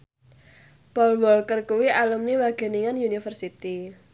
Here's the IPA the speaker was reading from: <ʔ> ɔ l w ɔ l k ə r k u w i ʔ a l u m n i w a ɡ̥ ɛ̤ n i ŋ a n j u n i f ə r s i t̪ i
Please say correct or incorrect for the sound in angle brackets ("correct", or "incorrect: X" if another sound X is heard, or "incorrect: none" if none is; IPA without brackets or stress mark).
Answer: incorrect: p